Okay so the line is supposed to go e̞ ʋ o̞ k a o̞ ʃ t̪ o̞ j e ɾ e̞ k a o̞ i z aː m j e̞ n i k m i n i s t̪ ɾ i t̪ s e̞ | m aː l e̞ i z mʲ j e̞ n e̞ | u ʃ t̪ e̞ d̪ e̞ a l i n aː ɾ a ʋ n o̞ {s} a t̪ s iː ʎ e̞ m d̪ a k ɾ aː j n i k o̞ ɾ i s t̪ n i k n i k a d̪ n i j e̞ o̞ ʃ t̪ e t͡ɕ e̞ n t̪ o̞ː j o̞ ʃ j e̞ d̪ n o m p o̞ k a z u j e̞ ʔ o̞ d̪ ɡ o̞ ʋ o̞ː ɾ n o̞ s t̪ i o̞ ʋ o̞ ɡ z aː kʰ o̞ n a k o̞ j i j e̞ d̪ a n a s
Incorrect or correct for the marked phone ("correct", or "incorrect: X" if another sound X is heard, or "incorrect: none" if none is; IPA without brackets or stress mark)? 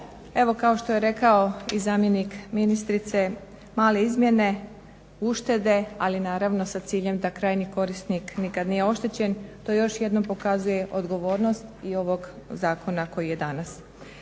correct